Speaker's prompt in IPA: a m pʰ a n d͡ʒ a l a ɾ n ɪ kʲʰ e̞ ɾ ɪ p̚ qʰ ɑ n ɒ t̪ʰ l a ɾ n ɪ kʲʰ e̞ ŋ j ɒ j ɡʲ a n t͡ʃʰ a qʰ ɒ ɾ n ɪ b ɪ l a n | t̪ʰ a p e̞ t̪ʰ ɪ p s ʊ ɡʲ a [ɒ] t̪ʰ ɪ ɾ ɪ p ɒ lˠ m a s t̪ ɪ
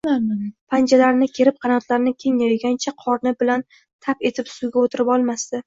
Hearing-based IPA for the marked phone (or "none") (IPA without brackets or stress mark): o